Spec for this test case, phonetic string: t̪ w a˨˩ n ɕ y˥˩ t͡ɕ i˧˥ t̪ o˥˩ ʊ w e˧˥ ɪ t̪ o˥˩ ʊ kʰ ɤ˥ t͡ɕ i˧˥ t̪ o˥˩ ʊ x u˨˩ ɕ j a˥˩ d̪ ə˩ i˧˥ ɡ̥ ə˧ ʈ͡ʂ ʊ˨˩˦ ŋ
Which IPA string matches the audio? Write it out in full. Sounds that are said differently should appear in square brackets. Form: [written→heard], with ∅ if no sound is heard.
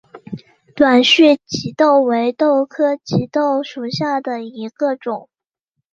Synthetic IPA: t̪ w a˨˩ n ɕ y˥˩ t͡ɕ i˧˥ t̪ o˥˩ ʊ w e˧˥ ɪ t̪ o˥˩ ʊ kʰ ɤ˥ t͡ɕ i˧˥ t̪ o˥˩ ʊ [x→ʂ] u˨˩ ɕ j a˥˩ d̪ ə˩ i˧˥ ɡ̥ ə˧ ʈ͡ʂ ʊ˨˩˦ ŋ